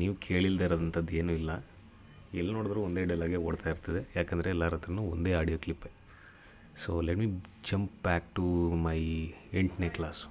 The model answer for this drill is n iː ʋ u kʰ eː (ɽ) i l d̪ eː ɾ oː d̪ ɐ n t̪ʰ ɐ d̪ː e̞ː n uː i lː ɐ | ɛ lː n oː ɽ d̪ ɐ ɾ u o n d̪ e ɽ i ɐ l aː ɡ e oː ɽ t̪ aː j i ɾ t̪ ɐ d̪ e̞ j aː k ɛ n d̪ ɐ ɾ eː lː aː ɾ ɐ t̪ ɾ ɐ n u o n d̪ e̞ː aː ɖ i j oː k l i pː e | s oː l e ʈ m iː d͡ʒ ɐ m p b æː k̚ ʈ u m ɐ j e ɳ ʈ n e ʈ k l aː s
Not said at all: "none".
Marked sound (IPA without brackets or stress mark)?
ɭ